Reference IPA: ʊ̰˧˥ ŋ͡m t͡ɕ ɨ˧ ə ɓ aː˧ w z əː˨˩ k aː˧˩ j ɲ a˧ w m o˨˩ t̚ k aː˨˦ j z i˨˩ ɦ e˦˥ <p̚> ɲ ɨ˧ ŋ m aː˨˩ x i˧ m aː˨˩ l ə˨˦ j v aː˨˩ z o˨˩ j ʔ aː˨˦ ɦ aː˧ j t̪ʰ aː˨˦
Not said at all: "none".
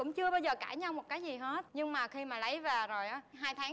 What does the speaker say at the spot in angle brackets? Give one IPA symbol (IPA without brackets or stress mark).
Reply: t̚